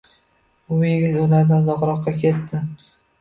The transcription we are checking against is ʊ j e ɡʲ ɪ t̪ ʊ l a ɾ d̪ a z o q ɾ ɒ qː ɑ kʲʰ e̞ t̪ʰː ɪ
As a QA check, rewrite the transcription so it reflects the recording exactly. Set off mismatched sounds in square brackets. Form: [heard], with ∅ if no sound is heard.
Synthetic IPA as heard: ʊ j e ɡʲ ɪ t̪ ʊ l a ɾ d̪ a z [ɒ] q ɾ ɒ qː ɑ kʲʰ e̞ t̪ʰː ɪ